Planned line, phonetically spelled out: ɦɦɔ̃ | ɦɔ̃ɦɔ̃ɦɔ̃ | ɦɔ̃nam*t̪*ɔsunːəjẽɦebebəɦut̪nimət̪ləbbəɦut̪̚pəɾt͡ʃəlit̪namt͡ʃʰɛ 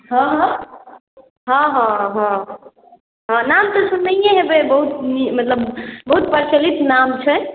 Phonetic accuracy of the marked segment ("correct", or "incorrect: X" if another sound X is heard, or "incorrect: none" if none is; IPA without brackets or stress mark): correct